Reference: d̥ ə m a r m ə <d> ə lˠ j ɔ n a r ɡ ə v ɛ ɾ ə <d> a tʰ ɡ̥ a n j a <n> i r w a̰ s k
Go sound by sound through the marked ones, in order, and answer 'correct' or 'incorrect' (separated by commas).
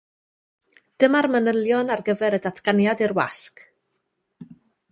incorrect, correct, incorrect